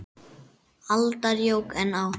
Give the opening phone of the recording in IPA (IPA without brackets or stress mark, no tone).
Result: a